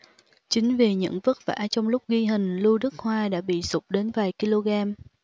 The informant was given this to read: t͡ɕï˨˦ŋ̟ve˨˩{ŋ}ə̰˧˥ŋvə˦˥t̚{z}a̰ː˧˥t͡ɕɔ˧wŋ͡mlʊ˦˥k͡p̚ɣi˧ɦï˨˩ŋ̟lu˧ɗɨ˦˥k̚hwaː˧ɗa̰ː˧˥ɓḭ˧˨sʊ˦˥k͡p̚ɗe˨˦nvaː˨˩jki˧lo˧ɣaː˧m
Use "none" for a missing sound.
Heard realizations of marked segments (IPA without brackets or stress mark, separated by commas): ɲ, v